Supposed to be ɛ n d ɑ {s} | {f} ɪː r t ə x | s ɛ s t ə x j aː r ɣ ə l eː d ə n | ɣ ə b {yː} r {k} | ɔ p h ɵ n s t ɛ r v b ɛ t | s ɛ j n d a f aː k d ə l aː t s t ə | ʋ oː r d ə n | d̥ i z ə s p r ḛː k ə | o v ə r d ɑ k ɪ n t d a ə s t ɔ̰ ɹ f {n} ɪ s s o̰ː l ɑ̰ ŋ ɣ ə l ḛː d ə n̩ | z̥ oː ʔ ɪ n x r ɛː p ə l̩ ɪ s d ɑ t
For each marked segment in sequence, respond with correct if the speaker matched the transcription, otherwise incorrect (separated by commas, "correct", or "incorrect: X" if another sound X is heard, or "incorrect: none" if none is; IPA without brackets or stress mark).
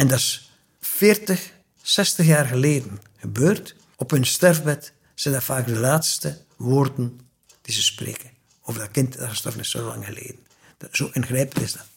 correct, correct, incorrect: øː, incorrect: t, correct